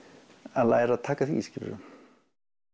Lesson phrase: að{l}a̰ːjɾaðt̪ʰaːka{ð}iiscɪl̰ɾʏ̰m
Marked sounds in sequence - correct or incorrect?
correct, incorrect: θ

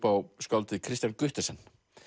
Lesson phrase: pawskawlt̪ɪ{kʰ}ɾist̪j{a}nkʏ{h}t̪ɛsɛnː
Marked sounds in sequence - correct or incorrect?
correct, correct, correct

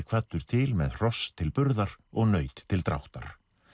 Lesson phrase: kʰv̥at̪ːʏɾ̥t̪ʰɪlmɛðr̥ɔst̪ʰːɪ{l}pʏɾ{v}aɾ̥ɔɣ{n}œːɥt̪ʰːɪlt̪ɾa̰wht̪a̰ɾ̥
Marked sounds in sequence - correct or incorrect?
correct, incorrect: ð, correct

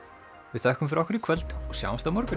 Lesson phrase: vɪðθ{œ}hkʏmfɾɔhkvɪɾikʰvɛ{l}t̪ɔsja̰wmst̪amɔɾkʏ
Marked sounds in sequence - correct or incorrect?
incorrect: ɛ, correct

